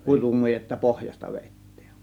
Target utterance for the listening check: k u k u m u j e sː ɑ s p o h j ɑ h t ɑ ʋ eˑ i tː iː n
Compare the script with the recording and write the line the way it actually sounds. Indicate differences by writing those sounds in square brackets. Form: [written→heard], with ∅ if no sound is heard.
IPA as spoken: k u [k→t] u m u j e [sː→tː] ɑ [s→∅] p o h j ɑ [h→s] t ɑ ʋ eˑ i tː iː n